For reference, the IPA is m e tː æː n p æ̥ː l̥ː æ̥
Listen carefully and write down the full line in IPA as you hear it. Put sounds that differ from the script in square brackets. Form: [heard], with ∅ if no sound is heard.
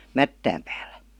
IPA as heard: m [æ] tː æː [m] p æ̥ː l̥ː æ̥